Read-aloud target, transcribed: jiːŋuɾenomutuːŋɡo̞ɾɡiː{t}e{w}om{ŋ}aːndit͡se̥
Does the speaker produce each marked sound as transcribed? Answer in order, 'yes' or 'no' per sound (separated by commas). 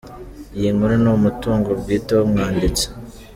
yes, yes, yes